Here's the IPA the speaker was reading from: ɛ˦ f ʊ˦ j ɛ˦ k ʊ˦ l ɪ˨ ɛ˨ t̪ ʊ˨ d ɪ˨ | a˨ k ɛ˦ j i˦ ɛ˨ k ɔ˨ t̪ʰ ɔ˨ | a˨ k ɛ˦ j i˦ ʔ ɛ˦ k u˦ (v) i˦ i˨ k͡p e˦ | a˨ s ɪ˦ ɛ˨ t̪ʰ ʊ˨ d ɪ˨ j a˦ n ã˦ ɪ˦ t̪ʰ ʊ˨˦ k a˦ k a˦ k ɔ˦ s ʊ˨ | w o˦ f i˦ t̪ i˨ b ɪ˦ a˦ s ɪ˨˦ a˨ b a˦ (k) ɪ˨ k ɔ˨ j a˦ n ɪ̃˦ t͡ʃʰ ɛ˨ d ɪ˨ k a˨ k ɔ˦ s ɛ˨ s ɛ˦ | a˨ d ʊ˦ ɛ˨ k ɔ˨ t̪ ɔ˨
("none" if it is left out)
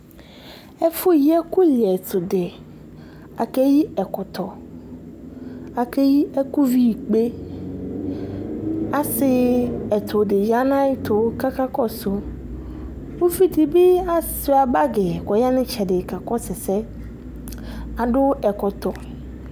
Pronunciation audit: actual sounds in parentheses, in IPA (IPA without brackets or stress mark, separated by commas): v, ɡ